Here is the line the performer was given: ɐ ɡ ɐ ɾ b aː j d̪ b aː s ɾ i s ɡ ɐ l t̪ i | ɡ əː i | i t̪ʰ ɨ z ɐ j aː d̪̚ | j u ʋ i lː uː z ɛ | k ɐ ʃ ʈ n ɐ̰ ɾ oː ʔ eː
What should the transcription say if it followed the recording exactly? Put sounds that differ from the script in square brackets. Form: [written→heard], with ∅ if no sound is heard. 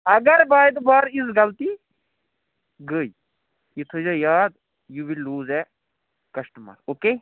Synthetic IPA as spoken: ɐ ɡ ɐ ɾ b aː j d̪ b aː [s→∅] ɾ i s ɡ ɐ l t̪ i | ɡ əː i | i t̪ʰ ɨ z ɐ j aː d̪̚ | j u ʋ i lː uː z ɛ | k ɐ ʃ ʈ [n→m] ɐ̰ ɾ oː [ʔ→k] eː

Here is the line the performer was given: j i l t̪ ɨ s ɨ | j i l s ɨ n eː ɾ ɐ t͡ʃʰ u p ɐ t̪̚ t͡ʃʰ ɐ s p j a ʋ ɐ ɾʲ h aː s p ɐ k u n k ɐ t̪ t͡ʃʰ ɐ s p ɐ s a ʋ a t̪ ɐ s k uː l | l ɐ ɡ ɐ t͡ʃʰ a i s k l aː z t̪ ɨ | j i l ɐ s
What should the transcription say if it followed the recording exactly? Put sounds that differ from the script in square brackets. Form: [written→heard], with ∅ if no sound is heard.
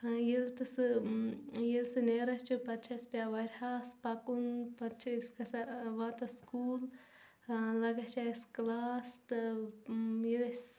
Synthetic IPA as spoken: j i l t̪ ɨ s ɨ | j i l s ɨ n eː ɾ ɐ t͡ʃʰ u p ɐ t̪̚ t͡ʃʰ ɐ s p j a ʋ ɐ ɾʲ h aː s p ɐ k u n [k→p] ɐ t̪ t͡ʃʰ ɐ s [p→k] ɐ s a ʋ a t̪ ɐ s k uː l | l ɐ ɡ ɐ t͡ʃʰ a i s k l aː [z→s] t̪ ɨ | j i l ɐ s

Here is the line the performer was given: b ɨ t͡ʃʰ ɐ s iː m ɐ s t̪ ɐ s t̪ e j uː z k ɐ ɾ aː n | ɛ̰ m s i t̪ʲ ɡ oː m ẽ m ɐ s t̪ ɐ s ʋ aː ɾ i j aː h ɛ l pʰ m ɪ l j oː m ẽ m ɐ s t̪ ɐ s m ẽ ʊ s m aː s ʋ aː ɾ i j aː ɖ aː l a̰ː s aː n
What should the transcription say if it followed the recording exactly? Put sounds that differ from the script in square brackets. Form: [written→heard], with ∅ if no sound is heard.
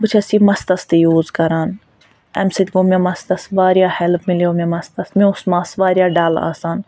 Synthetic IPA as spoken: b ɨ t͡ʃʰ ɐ s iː m ɐ s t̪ ɐ s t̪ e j uː z k ɐ ɾ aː n | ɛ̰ m s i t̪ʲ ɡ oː m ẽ m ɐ s t̪ ɐ s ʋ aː ɾ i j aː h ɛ l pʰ m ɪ l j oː m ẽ m ɐ s t̪ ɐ s m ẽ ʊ s m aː s ʋ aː ɾ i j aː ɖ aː l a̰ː s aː n

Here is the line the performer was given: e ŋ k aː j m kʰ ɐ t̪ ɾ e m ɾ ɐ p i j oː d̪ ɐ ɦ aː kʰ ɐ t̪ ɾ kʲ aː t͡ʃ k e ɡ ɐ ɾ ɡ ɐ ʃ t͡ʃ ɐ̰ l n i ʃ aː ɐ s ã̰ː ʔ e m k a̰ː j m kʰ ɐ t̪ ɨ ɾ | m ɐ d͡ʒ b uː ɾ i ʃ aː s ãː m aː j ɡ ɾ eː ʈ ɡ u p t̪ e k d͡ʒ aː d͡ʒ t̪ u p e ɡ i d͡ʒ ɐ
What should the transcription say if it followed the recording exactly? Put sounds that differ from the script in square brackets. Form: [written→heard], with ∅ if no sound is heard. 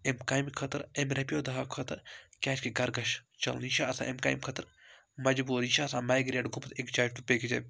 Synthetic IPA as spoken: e [ŋ→m] k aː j m kʰ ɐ t̪ ɾ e m ɾ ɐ p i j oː d̪ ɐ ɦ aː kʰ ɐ t̪ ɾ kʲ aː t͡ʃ k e ɡ ɐ ɾ ɡ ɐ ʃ t͡ʃ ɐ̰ l n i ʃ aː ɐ s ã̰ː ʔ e m k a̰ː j m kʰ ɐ t̪ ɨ ɾ | m ɐ d͡ʒ b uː ɾ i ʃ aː s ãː m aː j ɡ ɾ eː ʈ ɡ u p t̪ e k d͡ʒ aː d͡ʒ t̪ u p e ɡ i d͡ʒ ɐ

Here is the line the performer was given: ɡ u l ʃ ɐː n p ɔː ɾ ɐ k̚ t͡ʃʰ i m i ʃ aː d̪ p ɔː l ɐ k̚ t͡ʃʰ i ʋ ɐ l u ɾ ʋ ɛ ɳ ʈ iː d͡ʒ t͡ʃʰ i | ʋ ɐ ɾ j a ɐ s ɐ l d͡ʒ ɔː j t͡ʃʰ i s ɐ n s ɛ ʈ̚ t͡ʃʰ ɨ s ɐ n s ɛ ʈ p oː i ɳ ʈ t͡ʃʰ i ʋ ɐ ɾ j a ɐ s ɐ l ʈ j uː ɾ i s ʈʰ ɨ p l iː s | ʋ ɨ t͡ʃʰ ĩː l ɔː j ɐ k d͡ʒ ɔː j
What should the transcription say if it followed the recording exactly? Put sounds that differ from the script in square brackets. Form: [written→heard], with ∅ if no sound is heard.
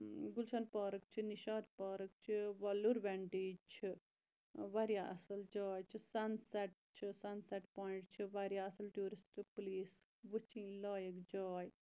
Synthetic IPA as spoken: ɡ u l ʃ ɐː n p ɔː ɾ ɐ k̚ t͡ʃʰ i [m→n] i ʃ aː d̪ p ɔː [l→ɾ] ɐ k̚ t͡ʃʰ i ʋ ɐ l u ɾ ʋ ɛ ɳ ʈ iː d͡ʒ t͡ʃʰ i | ʋ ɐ ɾ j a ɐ s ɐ l d͡ʒ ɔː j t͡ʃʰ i s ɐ n s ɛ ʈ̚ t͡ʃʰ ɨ s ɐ n s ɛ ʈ p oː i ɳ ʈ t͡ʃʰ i ʋ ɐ ɾ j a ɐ s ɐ l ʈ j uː ɾ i s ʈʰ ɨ p l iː s | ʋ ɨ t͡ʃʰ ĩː l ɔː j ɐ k d͡ʒ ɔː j

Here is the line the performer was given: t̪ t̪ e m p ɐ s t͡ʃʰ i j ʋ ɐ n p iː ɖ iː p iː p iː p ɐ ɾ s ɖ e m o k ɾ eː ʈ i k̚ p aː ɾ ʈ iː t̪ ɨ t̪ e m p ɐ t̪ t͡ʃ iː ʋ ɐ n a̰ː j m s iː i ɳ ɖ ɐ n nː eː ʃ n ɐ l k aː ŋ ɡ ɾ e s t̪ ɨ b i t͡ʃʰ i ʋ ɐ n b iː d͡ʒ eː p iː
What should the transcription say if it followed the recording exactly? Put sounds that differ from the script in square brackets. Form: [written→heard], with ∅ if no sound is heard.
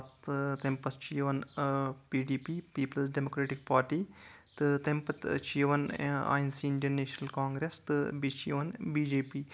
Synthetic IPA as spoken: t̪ t̪ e m p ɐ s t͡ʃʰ i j ʋ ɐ n p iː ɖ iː p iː p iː p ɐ [ɾ→l] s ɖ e m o k ɾ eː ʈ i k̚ p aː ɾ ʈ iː t̪ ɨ t̪ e m p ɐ t̪ t͡ʃ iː ʋ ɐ n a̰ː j [m→n] s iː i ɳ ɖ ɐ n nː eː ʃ n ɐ l k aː ŋ ɡ ɾ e s t̪ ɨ b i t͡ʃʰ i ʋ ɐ n b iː d͡ʒ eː p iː

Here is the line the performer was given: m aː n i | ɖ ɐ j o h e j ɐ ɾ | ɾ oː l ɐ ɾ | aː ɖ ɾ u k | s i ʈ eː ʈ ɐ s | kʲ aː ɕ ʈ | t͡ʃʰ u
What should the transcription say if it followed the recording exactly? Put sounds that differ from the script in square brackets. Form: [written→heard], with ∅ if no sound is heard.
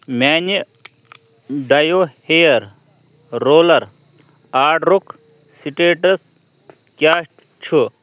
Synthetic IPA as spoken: m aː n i | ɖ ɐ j o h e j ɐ ɾ | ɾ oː l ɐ ɾ | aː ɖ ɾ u k | s i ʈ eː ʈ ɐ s | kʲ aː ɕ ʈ | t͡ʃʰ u

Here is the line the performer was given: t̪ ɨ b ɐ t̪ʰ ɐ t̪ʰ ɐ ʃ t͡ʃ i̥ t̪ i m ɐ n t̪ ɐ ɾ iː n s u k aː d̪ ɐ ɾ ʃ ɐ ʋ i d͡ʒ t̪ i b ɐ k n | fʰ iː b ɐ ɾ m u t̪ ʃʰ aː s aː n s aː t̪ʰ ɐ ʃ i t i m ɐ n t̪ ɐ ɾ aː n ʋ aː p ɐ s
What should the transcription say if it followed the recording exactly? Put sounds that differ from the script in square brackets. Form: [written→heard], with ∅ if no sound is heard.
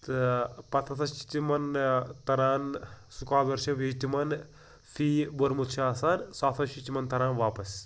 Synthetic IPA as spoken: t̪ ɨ [b→p] ɐ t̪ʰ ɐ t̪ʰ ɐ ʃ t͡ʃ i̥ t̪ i m ɐ n t̪ ɐ ɾ [iː→aː] n s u k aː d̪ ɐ ɾ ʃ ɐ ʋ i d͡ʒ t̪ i [b→m] ɐ [k→∅] n | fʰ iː b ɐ ɾ m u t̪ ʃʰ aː s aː n s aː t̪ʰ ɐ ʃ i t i m ɐ n t̪ ɐ ɾ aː n ʋ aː p ɐ s

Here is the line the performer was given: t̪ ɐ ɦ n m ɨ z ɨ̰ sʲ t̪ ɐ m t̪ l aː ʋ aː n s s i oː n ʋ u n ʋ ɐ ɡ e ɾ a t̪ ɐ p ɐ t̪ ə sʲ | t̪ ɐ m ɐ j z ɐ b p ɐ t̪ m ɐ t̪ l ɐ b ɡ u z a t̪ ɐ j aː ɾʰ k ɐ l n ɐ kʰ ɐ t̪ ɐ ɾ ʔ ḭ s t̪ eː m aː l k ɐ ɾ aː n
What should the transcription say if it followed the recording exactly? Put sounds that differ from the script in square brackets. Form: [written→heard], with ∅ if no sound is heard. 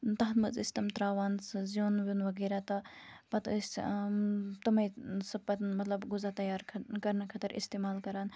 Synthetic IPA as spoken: t̪ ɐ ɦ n m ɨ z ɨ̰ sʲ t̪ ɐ m t̪ [l→ɾ] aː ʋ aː n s [s→z] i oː n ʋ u n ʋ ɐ ɡ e ɾ a t̪ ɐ p ɐ t̪ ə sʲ | t̪ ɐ m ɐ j [z→s] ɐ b p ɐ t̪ m ɐ t̪ l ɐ b ɡ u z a t̪ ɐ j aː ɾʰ k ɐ [l→ɾ] n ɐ kʰ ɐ t̪ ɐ ɾ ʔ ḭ s t̪ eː m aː l k ɐ ɾ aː n

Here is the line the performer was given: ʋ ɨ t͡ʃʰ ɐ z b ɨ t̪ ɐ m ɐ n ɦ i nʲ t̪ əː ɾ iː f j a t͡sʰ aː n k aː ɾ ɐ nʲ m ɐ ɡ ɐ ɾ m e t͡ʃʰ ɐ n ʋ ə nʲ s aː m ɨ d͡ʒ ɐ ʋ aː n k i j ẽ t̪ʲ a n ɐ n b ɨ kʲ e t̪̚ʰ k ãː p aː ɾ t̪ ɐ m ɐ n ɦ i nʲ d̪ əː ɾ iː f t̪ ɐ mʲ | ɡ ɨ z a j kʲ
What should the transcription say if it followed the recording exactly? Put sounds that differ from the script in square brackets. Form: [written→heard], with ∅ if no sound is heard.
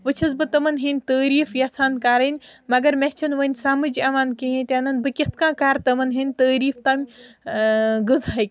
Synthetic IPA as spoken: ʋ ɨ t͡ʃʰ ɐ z b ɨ t̪ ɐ m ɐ n ɦ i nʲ t̪ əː ɾ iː f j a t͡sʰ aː n k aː ɾ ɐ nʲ m ɐ ɡ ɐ ɾ m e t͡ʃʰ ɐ n ʋ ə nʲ s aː m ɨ d͡ʒ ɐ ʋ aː n k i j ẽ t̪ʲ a n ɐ n b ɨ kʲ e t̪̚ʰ k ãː [p→k] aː ɾ t̪ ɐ m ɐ n ɦ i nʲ [d̪→t̪] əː ɾ iː f t̪ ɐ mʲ | ɡ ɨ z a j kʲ

